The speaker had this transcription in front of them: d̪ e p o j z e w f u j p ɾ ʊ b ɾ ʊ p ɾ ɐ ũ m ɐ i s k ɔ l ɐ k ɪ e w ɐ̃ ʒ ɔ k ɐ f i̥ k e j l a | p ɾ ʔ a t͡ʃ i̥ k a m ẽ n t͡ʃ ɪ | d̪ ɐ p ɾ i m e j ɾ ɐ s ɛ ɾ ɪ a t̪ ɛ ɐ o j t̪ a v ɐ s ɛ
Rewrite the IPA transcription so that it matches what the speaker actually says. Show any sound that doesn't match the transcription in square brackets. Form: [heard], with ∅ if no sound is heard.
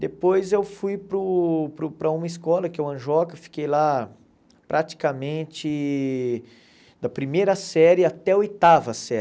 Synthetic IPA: d̪ e p o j z e w f u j p ɾ ʊ [p] ɾ ʊ p ɾ ɐ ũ m ɐ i s k ɔ l ɐ k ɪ e w ɐ̃ ʒ ɔ k ɐ f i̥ k e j l a | p ɾ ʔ a t͡ʃ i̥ k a m ẽ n t͡ʃ ɪ | d̪ ɐ p ɾ i m e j ɾ ɐ s ɛ ɾ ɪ a t̪ ɛ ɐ o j t̪ a v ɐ s ɛ